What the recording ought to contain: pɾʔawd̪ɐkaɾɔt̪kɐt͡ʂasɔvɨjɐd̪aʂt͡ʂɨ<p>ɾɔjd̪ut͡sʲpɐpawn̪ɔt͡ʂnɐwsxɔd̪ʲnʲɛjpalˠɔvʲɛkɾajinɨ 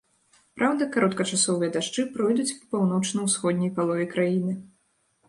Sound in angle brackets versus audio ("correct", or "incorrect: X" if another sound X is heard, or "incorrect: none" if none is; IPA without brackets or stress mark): correct